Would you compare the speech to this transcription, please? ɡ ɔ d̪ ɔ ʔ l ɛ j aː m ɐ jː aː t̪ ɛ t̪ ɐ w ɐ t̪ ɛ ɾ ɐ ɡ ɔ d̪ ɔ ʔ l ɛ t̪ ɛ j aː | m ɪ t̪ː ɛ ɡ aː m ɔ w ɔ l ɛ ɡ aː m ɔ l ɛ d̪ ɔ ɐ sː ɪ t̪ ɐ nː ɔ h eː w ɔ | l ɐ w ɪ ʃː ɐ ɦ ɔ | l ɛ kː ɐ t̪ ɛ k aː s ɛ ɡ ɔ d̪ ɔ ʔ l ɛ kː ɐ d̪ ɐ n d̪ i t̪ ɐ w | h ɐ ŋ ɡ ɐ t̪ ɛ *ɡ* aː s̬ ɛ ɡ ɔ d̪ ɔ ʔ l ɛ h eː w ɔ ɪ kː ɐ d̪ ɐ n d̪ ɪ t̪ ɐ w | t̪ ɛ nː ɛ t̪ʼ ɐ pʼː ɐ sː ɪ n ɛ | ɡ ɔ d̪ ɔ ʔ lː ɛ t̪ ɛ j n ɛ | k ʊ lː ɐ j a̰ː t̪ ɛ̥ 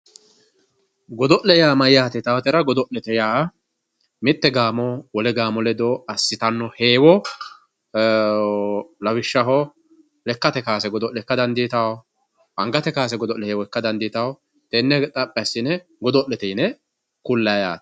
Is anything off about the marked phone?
yes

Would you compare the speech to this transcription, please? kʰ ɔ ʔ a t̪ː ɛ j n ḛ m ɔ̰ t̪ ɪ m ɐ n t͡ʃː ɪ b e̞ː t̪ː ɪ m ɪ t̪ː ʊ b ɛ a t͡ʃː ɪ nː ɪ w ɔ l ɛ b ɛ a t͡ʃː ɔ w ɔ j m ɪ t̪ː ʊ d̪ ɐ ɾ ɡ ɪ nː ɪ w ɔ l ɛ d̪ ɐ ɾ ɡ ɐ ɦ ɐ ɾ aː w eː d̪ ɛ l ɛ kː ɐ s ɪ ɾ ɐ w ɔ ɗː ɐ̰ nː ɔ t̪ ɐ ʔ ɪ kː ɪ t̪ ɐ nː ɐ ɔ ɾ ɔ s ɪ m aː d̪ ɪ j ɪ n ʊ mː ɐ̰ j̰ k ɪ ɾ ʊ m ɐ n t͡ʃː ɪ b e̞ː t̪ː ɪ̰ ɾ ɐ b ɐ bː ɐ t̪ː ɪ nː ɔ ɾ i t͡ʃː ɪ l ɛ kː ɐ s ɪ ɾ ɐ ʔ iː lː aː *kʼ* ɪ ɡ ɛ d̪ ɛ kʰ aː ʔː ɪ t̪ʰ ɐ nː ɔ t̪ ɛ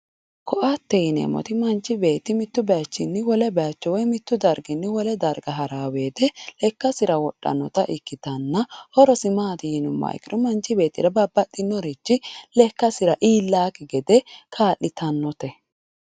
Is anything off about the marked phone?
yes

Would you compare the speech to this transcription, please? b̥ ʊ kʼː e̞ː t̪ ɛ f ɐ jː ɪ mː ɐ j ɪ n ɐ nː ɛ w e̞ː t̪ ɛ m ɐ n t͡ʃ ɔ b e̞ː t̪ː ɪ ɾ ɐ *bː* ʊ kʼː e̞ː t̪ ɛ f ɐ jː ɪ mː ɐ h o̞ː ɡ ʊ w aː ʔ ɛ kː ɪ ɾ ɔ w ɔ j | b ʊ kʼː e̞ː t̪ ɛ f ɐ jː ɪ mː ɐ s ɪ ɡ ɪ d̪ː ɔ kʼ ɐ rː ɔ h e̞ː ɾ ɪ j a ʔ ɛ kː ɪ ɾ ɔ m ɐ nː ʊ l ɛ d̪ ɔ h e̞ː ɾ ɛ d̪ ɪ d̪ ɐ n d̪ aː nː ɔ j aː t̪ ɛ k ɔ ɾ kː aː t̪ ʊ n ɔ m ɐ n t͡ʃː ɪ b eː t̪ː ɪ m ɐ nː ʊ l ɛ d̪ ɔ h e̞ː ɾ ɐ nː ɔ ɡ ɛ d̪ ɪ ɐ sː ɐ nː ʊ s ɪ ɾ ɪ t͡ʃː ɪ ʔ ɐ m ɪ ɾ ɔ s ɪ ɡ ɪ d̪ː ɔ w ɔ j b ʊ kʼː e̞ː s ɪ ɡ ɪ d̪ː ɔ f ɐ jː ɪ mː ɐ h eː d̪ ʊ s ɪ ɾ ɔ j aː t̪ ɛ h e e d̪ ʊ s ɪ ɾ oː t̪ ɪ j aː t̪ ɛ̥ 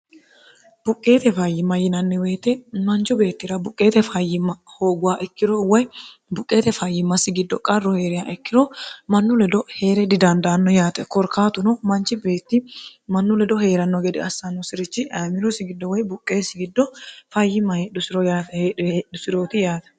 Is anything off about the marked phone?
yes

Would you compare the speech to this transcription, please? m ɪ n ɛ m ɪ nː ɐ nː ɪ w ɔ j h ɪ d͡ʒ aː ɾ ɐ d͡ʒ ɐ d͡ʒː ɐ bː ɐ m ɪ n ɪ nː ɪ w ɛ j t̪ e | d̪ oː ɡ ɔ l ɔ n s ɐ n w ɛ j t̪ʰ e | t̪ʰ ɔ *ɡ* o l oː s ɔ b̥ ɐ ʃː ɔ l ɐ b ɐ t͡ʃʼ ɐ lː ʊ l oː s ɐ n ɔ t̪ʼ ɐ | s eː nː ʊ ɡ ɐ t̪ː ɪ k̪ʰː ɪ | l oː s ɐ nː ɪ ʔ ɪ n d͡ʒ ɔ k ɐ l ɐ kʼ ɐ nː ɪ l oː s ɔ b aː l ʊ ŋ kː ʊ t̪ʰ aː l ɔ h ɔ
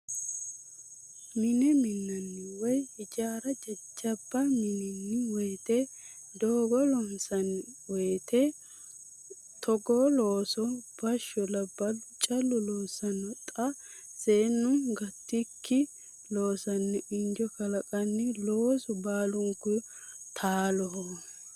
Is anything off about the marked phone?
no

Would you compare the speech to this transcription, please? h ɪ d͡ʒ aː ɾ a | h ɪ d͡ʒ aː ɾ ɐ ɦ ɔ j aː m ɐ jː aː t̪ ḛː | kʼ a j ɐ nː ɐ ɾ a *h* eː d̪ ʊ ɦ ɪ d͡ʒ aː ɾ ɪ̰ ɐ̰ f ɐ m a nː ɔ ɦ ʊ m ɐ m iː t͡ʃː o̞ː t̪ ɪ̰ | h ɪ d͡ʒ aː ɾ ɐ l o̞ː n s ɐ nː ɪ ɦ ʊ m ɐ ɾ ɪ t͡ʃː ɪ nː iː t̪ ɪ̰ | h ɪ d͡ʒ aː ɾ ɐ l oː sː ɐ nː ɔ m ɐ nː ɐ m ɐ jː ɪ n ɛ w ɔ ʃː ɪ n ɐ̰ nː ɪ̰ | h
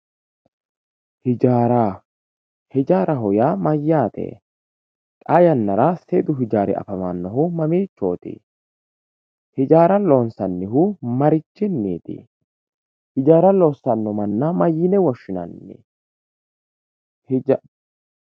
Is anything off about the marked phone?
yes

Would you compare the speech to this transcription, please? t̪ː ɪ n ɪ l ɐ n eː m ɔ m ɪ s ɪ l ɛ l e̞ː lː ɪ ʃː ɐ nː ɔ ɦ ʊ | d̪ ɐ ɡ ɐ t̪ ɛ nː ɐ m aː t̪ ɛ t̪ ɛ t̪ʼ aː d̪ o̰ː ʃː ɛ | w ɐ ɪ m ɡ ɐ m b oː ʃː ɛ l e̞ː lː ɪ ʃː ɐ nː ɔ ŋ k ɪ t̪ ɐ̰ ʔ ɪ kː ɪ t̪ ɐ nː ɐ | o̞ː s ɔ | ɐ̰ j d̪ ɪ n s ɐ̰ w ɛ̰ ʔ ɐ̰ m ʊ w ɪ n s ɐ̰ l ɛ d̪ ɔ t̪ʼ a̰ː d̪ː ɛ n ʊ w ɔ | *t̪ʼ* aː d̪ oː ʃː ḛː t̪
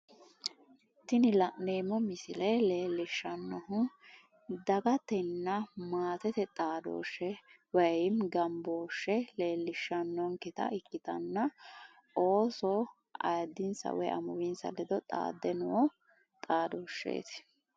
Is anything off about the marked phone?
no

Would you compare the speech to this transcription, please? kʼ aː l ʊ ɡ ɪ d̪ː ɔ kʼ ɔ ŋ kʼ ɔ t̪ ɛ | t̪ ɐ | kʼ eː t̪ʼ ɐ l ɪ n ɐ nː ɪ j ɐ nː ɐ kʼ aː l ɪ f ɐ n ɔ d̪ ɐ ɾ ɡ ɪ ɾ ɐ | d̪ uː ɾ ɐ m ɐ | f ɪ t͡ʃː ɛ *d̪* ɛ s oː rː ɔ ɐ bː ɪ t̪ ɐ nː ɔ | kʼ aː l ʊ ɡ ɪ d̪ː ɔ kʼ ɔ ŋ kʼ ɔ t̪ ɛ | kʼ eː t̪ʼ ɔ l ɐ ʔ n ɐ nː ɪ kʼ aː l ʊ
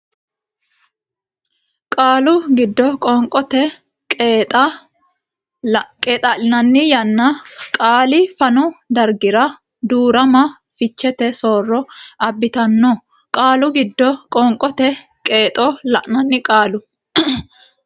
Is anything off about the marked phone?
yes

